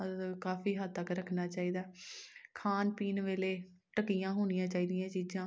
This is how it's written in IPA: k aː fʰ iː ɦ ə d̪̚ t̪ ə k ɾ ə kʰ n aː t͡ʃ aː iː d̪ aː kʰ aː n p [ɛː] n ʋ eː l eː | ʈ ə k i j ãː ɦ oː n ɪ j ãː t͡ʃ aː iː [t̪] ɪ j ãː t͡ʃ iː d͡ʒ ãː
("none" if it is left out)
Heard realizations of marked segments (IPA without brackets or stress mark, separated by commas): iː, d̪